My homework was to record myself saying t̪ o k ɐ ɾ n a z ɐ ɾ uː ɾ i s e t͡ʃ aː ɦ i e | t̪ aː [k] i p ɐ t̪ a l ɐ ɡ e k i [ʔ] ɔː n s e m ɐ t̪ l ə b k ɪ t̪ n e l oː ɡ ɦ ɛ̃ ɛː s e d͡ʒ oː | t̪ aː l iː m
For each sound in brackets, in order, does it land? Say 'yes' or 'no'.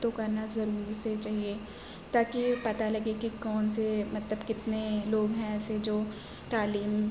yes, no

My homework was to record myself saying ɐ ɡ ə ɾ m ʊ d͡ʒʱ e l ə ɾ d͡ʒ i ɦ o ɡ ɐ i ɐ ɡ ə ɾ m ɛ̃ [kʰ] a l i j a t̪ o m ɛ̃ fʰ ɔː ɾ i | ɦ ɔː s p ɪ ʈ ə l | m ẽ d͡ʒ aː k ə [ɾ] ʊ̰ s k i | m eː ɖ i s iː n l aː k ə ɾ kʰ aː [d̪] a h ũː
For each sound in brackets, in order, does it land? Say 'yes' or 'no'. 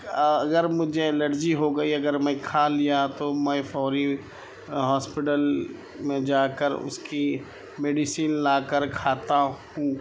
yes, yes, no

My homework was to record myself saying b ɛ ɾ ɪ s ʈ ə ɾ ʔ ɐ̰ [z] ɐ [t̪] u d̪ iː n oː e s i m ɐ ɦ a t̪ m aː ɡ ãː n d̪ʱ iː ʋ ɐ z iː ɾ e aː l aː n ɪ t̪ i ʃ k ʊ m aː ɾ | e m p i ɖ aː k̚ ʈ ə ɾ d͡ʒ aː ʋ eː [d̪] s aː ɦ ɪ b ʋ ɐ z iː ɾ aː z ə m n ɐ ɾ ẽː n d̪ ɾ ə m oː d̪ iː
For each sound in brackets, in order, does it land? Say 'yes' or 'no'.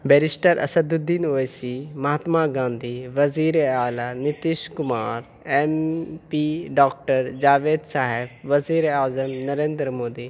no, no, yes

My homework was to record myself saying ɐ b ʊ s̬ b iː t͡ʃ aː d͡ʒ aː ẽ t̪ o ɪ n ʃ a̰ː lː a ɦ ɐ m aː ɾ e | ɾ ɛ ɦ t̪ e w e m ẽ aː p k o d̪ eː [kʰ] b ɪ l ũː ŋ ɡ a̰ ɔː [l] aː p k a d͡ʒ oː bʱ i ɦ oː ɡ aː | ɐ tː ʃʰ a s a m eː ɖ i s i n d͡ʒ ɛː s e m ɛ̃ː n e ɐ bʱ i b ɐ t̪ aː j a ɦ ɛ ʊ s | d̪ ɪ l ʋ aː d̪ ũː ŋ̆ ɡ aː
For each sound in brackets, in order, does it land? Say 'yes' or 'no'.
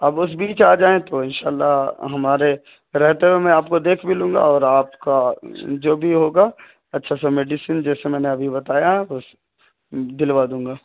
yes, no

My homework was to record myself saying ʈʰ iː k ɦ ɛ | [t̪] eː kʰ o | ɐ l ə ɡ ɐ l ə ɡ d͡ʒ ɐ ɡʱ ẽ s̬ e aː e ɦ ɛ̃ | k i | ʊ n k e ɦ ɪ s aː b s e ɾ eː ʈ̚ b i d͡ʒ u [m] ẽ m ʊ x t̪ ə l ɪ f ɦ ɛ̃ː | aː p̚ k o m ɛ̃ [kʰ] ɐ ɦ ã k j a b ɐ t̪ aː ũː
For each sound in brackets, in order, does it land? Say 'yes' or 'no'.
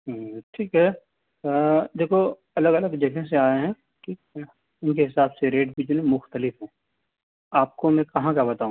no, no, no

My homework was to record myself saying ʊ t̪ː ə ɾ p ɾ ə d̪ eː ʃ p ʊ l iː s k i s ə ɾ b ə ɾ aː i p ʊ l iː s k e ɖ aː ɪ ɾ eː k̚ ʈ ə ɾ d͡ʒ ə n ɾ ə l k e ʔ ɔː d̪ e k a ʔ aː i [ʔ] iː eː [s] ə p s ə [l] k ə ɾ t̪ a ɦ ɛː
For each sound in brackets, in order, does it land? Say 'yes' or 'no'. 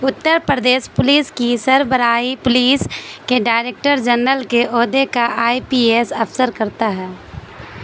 no, yes, no

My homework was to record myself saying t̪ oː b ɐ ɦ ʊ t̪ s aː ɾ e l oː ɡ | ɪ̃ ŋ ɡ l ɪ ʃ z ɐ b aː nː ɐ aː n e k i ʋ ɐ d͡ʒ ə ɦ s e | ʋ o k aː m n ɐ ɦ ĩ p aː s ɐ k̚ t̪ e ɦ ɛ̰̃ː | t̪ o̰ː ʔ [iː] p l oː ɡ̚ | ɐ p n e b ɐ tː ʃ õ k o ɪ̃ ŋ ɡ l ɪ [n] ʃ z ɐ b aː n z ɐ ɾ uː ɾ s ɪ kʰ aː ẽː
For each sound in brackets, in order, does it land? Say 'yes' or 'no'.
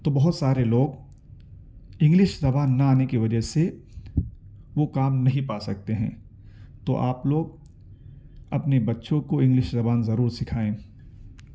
no, no

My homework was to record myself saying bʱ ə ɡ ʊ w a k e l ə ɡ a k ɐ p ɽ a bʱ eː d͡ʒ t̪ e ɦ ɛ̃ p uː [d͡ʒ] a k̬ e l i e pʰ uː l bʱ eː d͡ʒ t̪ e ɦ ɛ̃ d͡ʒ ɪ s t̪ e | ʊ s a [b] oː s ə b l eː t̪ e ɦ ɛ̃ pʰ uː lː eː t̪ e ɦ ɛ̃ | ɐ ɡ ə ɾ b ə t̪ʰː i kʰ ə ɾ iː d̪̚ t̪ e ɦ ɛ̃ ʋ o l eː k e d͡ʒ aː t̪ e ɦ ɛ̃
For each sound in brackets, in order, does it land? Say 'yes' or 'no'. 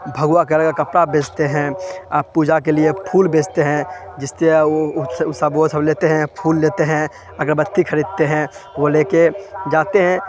yes, yes

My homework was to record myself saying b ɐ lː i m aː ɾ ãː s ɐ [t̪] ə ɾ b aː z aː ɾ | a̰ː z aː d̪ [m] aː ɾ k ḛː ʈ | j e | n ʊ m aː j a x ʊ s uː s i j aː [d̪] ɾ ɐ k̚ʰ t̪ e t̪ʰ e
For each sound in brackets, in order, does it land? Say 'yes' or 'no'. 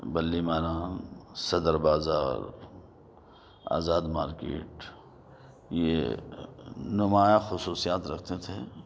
no, yes, no

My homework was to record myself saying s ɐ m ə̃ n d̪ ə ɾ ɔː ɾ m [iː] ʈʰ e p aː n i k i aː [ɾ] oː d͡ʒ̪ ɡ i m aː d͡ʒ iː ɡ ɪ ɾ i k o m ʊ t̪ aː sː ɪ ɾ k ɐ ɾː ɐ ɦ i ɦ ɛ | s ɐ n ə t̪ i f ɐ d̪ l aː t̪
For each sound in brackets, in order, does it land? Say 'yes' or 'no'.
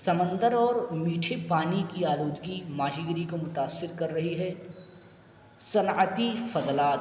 yes, no

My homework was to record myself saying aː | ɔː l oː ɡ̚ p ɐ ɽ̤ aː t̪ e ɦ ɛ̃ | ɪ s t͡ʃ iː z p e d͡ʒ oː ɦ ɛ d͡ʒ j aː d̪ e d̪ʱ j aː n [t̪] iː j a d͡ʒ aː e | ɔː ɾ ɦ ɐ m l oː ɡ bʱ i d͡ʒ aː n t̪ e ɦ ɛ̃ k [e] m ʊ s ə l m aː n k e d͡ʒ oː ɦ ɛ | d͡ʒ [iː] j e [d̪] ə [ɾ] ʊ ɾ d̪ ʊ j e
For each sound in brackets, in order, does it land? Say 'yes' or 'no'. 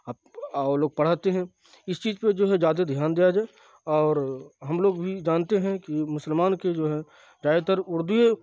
no, no, no, no, yes

